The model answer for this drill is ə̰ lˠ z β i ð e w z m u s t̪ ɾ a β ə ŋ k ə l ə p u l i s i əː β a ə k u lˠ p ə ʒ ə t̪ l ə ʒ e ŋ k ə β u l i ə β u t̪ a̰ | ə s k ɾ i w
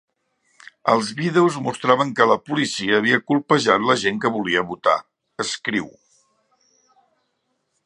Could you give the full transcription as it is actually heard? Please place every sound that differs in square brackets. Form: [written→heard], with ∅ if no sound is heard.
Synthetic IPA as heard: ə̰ lˠ z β i ð e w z m u s t̪ ɾ a β ə ŋ k ə l ə p u l i s i əː β [a→i] ə k u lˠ p ə ʒ [ə→a] t̪ l ə ʒ e ŋ k ə β u l i ə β u t̪ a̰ | ə s k ɾ i w